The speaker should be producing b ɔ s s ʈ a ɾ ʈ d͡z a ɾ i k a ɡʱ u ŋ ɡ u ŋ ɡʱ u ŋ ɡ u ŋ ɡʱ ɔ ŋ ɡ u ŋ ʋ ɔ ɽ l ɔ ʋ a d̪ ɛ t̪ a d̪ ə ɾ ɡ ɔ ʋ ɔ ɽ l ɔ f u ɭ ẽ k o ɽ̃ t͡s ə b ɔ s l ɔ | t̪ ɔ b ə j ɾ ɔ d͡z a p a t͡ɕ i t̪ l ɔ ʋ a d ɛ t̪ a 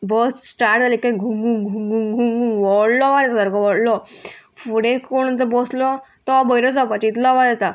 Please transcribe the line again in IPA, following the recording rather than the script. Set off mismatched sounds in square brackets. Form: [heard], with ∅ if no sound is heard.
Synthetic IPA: b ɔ s s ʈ a ɾ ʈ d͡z a [l] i k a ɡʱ u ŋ ɡ u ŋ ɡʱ u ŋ ɡ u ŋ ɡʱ [u] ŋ ɡ u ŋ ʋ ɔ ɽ l ɔ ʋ a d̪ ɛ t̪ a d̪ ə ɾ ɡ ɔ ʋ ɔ ɽ l ɔ f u [ɽ] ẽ k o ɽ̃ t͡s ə b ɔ s l ɔ | t̪ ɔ b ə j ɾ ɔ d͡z a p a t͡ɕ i t̪ l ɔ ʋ a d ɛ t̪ a